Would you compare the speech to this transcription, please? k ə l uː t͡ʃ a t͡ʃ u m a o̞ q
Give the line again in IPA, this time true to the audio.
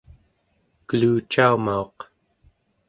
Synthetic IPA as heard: k ə l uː t͡ʃ a u m a o̞ q